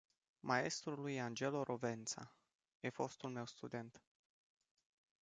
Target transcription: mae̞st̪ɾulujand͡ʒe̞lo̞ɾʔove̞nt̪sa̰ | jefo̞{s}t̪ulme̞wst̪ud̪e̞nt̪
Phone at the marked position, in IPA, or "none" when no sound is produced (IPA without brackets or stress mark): s